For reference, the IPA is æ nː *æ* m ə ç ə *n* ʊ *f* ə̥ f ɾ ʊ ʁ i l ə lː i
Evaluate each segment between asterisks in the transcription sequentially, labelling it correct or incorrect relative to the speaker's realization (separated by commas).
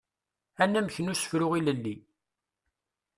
correct, correct, incorrect